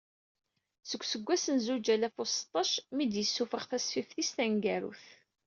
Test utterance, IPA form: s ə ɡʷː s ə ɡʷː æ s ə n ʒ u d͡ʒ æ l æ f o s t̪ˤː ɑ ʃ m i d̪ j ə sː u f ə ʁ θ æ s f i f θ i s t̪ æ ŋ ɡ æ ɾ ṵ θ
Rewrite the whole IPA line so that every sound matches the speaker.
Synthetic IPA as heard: s ə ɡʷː s ə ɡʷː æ s ə n z u d͡ʒ æ l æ f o s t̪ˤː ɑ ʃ m i d̪ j ə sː u f ə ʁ θ æ s f i f θ i s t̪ æ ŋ ɡ æ ɾ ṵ θ